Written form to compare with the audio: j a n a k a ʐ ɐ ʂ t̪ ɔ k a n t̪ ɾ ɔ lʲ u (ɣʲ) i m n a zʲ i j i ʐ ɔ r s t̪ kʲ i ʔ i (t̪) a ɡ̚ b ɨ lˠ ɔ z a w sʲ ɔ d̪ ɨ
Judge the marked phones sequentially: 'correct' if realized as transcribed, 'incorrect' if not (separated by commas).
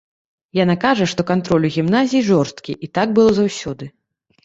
correct, correct